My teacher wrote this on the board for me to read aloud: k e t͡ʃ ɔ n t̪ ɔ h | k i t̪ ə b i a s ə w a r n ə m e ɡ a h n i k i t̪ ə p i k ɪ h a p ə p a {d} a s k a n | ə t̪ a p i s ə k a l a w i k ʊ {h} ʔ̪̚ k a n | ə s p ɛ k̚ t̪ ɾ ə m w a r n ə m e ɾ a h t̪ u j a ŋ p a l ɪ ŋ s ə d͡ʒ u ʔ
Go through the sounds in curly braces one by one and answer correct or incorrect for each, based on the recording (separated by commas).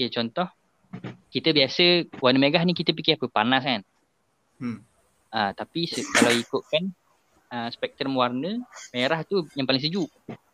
incorrect, incorrect